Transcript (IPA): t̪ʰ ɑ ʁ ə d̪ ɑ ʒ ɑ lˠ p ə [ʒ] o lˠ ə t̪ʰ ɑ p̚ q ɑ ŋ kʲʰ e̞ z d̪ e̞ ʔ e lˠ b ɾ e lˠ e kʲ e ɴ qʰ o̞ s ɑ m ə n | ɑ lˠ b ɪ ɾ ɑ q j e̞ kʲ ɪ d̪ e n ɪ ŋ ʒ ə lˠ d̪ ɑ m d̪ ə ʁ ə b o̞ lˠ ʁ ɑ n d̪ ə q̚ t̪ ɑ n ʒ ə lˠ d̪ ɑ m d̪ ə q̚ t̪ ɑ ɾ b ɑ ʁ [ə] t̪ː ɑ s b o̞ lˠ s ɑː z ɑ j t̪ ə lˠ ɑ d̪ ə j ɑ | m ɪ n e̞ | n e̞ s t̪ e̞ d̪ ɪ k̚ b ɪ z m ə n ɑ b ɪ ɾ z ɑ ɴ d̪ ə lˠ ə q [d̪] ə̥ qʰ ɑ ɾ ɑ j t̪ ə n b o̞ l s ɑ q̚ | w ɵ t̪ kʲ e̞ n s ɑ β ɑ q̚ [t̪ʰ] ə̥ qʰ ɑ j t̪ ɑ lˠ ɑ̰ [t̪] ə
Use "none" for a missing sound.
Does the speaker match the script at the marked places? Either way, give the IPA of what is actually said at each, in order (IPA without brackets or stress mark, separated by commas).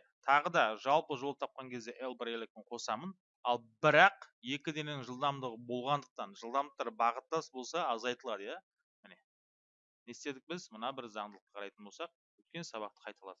ʒ, ə, t̪, t̪, d̪